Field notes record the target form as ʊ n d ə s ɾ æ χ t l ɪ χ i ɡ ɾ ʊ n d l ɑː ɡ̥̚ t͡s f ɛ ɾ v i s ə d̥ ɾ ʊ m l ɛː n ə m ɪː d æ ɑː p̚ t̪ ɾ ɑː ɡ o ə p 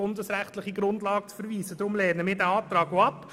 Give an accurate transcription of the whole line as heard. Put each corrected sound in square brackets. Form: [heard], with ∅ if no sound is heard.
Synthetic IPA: ʊ n d ə s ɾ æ χ t l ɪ χ i ɡ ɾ ʊ n d l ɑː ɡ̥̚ t͡s f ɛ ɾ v [iː] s ə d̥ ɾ ʊ m l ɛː n ə m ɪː d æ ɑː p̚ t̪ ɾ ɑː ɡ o [ɑ] p